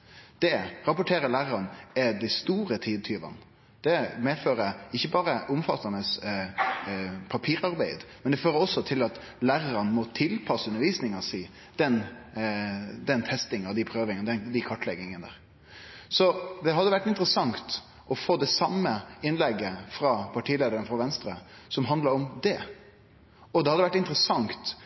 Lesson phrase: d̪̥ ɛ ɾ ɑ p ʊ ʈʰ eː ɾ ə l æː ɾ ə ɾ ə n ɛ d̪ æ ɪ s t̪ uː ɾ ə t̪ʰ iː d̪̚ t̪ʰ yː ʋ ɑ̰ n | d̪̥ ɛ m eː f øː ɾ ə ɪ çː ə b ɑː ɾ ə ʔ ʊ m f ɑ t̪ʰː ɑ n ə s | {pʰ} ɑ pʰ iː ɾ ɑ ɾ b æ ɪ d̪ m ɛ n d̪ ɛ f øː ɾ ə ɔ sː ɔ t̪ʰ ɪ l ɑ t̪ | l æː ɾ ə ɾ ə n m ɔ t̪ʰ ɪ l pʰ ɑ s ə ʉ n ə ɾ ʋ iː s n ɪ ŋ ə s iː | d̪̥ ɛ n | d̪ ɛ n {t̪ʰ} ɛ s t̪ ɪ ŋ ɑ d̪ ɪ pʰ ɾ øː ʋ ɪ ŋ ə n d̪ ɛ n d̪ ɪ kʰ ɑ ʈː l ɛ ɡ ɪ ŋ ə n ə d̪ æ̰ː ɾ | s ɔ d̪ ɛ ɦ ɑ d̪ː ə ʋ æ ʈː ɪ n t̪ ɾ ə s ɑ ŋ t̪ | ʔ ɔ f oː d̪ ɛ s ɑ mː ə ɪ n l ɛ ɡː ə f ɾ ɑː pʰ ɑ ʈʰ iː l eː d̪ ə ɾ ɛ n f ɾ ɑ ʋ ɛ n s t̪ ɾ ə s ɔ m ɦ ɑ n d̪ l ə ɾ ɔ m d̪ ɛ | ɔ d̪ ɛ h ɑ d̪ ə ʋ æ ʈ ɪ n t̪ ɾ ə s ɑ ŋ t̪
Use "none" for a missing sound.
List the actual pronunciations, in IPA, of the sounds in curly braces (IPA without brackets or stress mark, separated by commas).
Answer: pʰ, t̪ʰ